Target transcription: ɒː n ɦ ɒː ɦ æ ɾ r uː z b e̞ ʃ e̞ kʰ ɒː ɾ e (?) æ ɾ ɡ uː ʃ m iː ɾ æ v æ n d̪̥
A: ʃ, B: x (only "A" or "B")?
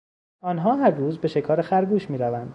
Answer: B